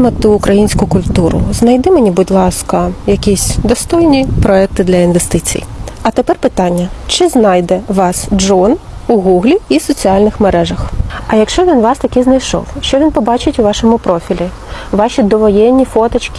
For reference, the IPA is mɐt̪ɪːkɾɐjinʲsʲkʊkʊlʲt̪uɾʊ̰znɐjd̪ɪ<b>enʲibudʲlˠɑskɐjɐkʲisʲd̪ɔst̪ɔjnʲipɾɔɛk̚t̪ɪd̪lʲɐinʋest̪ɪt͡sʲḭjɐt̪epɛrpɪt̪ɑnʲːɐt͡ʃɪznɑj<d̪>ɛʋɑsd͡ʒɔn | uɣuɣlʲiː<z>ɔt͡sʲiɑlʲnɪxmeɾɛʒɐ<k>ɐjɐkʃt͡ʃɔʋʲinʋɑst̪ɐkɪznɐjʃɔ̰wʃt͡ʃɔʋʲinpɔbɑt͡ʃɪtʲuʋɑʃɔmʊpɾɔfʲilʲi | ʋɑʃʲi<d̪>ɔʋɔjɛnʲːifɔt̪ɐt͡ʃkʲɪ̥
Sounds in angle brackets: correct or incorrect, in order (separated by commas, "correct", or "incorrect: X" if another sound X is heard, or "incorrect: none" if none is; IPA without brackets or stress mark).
incorrect: m, correct, incorrect: s, incorrect: x, correct